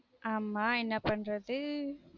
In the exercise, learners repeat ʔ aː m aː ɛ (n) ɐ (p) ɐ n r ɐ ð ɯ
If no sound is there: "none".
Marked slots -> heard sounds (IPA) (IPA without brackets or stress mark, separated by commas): nː, p